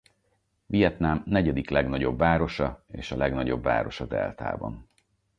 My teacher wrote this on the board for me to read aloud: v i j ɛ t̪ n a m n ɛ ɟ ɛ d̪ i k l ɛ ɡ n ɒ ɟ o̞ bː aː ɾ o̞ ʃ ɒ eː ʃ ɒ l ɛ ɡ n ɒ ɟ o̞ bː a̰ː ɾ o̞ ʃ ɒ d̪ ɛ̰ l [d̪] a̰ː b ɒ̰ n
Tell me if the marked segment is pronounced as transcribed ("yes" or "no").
no